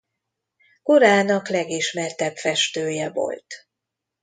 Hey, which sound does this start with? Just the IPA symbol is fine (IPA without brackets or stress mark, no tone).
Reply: k